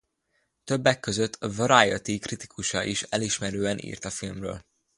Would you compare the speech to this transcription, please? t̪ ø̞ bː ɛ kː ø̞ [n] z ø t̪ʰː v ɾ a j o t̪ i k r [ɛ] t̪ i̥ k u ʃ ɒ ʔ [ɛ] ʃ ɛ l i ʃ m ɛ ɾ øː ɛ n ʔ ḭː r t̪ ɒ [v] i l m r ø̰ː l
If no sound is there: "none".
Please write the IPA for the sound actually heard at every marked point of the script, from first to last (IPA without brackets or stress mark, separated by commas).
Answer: none, i, i, f